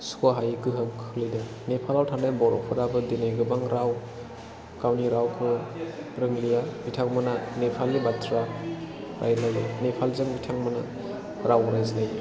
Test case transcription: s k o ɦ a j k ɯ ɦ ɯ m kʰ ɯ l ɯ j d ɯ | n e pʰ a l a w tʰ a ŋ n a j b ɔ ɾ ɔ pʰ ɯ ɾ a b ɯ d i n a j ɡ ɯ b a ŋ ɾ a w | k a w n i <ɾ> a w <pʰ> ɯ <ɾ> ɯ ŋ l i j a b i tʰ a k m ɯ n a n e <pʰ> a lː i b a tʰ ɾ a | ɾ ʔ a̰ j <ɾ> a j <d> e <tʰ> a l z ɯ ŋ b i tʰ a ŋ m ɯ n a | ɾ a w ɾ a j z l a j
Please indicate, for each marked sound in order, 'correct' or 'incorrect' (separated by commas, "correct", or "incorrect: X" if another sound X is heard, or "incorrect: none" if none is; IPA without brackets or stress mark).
correct, incorrect: kʰ, correct, correct, incorrect: l, incorrect: n, incorrect: pʰ